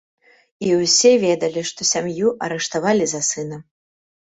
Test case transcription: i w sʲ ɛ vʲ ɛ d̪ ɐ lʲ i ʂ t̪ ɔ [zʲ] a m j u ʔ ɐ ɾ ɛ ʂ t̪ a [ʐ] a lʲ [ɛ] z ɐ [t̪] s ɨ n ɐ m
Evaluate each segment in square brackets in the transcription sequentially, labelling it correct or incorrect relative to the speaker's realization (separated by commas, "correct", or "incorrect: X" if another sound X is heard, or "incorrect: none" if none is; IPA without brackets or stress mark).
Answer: incorrect: sʲ, incorrect: v, incorrect: i, incorrect: none